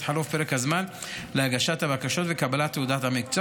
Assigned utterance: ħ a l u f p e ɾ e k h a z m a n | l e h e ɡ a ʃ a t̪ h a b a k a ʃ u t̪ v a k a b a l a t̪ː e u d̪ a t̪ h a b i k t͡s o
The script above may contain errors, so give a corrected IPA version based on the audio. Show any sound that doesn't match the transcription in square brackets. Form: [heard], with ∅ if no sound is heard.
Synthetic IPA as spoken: ħ a l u f p e ɾ e k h a z m a n | l e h [a] ɡ a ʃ a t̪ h a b a k a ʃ [o] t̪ v [e] k a b a l a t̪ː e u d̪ a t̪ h a [m] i k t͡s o